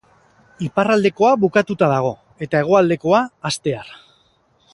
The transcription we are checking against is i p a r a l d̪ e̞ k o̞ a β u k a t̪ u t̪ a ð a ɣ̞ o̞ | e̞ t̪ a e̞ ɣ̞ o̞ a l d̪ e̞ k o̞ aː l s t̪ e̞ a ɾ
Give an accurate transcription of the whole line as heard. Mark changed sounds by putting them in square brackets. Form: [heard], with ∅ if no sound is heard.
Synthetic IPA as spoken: i p a r a l d̪ e̞ k o̞ a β u k a t̪ u t̪ a ð a ɣ̞ o̞ | e̞ t̪ a e̞ ɣ̞ o̞ a l d̪ e̞ k o̞ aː [∅] s t̪ e̞ a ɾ